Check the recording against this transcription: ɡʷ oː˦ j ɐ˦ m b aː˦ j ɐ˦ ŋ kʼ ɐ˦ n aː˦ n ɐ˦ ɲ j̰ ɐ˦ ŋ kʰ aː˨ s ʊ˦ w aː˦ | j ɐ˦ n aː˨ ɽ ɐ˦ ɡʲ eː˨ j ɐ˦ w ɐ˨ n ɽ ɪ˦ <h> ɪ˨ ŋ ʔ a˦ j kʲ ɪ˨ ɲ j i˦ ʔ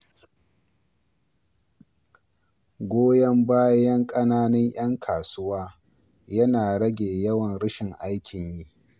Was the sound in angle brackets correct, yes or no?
no